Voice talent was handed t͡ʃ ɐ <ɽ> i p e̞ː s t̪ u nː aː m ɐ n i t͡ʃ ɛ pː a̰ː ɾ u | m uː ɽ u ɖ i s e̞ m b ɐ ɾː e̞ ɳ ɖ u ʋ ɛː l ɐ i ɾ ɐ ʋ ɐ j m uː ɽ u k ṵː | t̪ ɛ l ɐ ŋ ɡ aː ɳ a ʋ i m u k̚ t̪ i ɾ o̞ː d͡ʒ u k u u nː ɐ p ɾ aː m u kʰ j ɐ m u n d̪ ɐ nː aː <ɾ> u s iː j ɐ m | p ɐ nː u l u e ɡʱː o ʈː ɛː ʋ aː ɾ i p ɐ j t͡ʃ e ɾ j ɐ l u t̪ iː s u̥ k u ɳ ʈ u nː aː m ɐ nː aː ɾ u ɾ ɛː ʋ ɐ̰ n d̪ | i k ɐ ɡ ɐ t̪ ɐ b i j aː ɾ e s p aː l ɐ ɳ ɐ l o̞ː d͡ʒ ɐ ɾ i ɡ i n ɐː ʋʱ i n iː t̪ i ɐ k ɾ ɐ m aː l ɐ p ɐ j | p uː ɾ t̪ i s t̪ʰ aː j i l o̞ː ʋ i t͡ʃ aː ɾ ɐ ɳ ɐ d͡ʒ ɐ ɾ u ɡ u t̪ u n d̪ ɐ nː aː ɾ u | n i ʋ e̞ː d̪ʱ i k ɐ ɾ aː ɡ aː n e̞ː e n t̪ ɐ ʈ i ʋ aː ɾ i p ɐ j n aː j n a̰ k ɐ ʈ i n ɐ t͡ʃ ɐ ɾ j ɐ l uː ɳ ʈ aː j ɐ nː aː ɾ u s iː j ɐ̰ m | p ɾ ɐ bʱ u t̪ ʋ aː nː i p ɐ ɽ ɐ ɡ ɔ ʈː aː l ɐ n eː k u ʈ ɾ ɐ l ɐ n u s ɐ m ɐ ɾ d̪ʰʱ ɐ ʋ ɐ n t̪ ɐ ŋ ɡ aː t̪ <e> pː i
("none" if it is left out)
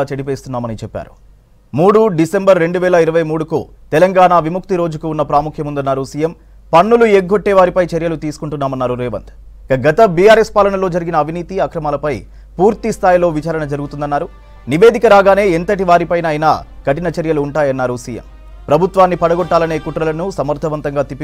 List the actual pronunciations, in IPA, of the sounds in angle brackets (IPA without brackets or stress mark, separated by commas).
ɽ, ɾ, i